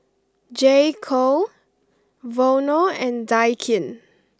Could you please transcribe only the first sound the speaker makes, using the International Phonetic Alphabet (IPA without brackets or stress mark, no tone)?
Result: d͡ʒ